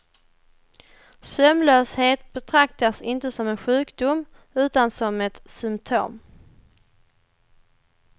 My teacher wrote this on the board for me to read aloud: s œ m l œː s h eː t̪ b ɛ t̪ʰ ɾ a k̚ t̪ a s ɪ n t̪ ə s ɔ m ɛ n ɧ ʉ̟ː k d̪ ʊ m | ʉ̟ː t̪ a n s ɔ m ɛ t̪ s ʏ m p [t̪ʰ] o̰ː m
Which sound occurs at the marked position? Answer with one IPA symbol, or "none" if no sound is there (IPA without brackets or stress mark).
t̪ʰ